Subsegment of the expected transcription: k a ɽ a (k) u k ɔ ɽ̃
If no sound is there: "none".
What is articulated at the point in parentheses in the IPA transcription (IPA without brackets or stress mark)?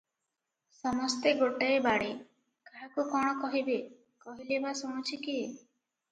k